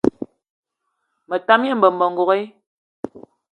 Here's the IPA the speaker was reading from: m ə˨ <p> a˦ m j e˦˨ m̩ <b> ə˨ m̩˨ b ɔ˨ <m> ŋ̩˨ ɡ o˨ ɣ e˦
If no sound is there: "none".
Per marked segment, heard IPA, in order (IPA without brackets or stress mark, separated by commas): t, b, none